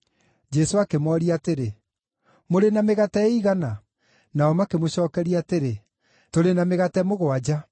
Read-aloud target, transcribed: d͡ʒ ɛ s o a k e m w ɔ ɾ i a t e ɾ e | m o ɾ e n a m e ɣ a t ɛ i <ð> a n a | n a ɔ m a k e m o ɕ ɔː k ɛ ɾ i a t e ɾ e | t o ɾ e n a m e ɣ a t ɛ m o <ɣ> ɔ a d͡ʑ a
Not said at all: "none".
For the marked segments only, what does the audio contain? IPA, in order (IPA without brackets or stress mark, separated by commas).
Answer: ɣ, ɣ